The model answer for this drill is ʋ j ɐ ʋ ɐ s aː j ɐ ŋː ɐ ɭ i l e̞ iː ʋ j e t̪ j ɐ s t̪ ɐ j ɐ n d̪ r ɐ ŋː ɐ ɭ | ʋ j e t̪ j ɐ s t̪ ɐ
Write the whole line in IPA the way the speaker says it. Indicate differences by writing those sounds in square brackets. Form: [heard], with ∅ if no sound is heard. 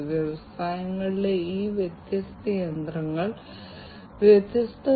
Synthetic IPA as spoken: ʋ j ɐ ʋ ɐ s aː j ɐ ŋː ɐ ɭ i l e̞ iː ʋ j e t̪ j ɐ s t̪ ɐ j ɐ n d̪ r ɐ ŋː ɐ ɭ | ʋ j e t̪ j ɐ s t̪ ɐ